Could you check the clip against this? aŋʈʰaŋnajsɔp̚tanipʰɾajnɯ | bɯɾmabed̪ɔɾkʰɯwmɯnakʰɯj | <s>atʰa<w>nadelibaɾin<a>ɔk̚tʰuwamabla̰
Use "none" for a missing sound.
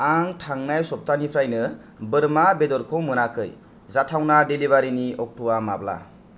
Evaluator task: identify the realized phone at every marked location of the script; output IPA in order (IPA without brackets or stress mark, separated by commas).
z, w, i